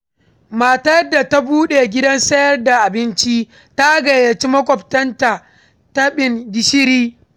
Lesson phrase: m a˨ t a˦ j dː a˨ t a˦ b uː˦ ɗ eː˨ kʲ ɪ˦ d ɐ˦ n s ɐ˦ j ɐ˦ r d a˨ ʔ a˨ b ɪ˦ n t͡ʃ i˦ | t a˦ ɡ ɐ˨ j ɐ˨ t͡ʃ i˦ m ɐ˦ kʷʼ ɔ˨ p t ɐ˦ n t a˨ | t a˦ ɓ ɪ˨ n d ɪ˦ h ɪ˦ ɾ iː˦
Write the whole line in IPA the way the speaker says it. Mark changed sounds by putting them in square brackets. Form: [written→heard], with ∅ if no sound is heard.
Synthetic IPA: m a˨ t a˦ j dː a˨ t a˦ b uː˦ ɗ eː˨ [kʲ→ɡʲ] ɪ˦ d ɐ˦ n s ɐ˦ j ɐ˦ r d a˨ ʔ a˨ b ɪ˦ n t͡ʃ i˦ | t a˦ ɡ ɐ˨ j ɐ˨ t͡ʃ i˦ m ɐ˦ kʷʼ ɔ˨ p t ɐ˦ n t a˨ | t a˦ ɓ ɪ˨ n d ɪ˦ [h→ʃ] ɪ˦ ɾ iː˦